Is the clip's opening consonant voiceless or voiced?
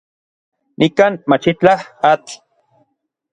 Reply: voiced